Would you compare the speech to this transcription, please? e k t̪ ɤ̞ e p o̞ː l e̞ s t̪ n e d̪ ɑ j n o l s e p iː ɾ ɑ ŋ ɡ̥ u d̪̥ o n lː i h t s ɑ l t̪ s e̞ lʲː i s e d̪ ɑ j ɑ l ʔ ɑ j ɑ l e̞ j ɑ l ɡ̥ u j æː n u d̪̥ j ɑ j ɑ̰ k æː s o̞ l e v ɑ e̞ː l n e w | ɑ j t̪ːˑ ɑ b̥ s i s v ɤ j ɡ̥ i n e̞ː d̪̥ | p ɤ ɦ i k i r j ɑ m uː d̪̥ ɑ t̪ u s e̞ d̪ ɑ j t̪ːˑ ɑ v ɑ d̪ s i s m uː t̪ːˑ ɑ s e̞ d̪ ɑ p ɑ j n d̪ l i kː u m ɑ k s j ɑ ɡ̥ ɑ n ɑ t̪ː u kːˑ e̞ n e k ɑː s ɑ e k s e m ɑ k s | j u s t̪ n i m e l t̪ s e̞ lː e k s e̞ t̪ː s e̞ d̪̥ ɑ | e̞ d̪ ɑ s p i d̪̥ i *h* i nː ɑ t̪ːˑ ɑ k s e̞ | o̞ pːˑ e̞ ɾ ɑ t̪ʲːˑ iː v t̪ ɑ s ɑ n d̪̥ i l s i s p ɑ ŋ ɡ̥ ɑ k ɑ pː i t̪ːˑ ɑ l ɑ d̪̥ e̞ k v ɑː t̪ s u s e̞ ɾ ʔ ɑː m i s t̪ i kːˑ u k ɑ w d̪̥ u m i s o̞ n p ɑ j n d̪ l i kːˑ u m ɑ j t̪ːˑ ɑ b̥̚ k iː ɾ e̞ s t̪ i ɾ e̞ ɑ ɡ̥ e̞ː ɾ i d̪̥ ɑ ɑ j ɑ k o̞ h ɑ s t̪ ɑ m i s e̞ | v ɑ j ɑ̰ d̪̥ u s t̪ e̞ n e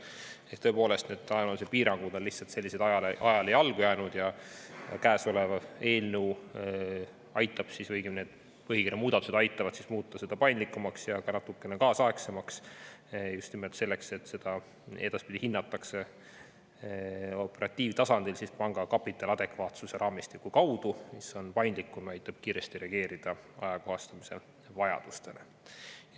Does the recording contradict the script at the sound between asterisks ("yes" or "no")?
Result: no